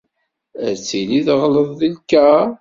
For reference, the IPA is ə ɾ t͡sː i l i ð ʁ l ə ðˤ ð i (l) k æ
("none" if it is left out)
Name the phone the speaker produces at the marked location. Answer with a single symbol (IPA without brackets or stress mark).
l